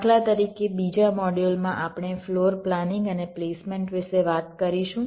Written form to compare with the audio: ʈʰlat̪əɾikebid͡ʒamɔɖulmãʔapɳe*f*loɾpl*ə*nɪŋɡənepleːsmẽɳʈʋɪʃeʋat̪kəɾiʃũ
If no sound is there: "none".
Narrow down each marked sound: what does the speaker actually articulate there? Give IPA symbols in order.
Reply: f, a

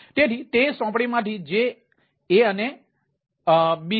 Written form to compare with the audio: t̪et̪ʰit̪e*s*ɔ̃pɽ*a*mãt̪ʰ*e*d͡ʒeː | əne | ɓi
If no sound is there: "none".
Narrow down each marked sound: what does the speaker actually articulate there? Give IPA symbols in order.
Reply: s, i, i

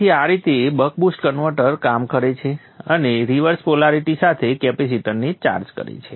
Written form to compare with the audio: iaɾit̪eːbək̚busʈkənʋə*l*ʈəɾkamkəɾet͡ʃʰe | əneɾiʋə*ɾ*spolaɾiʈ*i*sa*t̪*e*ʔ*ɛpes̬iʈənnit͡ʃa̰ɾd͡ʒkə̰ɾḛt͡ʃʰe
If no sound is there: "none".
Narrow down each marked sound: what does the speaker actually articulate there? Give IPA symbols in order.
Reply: ɾ, ɾ, i, t̪ʰ, k

